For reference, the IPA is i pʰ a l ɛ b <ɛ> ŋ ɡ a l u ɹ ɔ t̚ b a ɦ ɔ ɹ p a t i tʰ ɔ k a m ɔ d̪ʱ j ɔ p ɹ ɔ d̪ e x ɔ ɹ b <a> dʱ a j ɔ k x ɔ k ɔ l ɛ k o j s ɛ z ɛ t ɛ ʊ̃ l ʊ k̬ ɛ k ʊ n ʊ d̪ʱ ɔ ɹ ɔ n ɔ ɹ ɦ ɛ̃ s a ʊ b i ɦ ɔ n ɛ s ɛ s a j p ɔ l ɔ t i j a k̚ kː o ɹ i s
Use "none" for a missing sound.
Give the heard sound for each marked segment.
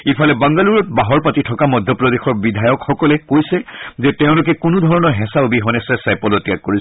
a, i

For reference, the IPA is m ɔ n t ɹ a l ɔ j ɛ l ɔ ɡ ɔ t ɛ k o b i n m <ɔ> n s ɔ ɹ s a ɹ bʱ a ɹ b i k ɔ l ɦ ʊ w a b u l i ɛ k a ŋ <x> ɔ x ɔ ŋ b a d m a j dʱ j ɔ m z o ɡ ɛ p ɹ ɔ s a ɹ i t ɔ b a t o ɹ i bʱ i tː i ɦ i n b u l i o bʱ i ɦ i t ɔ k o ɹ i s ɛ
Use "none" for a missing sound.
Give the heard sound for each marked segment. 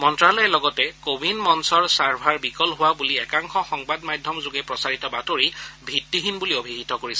ɔ, x

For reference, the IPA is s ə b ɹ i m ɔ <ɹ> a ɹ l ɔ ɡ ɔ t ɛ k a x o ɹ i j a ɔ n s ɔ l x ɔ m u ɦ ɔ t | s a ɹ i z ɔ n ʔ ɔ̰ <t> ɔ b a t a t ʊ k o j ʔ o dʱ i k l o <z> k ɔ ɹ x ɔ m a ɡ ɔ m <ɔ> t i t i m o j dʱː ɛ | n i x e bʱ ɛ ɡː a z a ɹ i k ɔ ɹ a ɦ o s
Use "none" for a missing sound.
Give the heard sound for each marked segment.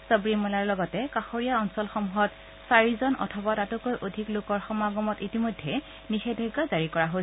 l, tʰ, none, ɔ

